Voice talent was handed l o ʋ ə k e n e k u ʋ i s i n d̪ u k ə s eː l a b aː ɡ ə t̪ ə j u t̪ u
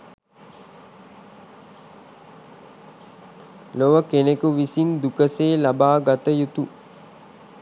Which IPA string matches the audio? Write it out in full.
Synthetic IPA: l o ʋ ə k e n e k u ʋ i s i n d̪ u k ə s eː l a b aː ɡ a t̪ ə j u t̪ u